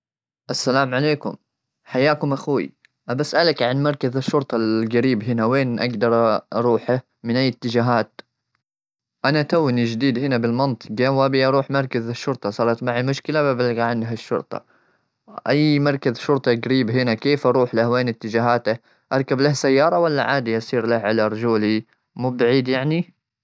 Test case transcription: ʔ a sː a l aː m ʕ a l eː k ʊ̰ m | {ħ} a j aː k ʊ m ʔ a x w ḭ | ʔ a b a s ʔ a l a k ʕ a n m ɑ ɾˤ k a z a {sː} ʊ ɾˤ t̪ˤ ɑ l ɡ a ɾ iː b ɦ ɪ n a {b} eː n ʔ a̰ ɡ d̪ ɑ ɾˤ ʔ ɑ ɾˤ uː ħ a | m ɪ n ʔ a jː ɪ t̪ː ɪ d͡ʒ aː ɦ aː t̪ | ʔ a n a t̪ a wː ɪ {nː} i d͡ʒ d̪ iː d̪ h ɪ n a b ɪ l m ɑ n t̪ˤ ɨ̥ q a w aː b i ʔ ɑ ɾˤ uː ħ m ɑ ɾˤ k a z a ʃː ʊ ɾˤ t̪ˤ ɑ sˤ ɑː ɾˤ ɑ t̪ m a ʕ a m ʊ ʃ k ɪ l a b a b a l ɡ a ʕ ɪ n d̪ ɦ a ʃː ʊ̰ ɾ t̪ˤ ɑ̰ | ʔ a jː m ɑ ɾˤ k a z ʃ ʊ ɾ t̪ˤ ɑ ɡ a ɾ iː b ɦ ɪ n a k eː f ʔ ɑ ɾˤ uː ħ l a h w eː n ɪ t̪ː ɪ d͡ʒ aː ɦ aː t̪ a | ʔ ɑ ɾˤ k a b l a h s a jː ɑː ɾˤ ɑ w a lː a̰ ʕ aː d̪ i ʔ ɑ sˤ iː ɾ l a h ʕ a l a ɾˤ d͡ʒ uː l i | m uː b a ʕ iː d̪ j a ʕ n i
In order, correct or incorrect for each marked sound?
correct, incorrect: ʃː, incorrect: w, incorrect: n

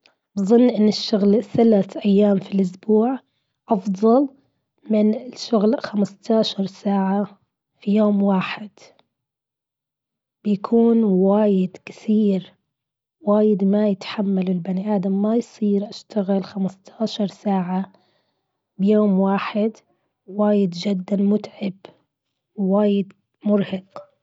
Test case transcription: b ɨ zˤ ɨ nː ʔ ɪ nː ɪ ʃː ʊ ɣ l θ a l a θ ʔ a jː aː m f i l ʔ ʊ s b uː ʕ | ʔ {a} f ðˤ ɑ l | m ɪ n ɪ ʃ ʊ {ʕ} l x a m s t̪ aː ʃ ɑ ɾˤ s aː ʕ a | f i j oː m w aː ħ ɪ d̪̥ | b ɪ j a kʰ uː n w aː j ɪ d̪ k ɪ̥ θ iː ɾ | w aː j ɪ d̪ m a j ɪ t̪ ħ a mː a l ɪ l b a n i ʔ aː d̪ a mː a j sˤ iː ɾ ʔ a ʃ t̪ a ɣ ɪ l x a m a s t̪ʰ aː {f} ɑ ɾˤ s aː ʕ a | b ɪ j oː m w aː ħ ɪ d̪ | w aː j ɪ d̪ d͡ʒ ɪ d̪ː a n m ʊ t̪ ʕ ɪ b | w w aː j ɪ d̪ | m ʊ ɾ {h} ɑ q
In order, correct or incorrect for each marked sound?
incorrect: ɑ, incorrect: ɣ, incorrect: ʃ, correct

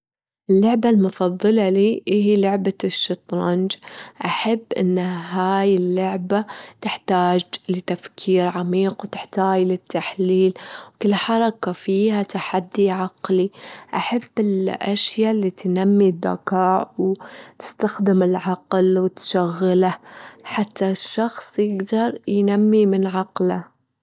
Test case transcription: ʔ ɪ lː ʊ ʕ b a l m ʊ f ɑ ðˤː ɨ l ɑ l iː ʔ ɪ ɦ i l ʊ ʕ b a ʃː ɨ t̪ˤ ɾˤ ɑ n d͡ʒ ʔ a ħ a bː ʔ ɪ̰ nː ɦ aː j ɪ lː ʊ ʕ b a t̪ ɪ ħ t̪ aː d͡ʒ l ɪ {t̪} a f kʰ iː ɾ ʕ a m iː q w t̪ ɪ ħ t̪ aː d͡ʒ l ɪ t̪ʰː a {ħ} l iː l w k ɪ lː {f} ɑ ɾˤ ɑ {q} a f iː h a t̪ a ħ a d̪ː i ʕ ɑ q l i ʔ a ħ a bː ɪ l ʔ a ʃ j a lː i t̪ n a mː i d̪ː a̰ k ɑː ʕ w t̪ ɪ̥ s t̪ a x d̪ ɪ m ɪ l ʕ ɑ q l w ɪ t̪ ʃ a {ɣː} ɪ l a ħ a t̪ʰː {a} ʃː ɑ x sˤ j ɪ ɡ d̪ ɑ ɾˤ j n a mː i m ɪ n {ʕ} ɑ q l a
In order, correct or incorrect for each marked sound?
correct, correct, incorrect: ħ, incorrect: k, correct, correct, correct

